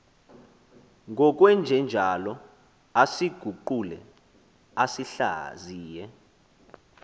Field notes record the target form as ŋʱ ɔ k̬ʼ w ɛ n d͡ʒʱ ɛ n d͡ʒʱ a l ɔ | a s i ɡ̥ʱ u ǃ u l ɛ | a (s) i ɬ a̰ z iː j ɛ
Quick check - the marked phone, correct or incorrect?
correct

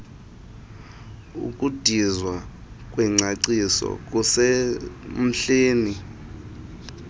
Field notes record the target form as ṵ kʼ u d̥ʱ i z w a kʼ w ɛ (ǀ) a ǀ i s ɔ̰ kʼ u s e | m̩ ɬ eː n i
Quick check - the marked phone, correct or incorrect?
incorrect: ŋ͡ǀ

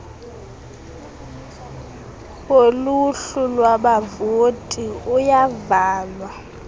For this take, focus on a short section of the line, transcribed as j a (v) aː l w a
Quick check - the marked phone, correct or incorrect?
correct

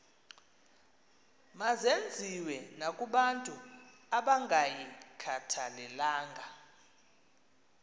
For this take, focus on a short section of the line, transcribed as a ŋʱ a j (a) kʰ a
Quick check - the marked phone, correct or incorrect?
incorrect: i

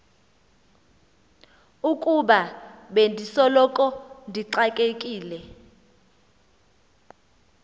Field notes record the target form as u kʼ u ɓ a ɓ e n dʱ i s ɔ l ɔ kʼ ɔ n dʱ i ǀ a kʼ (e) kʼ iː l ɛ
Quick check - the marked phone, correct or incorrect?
correct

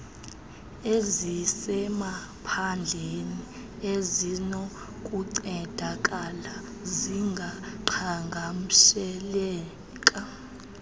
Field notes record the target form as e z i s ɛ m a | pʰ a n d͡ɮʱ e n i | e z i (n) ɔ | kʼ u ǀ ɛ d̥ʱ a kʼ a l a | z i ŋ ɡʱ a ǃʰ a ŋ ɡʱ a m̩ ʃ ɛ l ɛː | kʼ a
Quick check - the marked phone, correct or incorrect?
correct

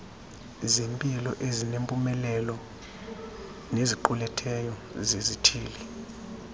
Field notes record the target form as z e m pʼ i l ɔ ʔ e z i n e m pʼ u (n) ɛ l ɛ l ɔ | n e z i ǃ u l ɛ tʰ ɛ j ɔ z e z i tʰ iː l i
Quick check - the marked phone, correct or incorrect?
incorrect: m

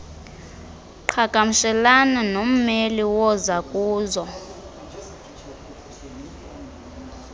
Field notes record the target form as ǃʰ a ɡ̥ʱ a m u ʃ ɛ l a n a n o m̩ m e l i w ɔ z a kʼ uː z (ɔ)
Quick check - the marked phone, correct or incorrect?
correct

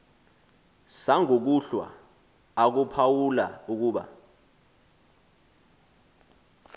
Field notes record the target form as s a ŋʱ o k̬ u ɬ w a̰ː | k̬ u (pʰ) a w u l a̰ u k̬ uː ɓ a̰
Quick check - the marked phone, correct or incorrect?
correct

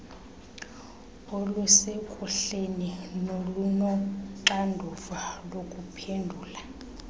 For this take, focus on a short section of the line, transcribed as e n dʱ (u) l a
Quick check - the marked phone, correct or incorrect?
incorrect: uː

